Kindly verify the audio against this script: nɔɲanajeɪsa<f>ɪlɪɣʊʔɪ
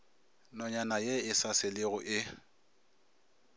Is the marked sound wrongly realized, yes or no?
yes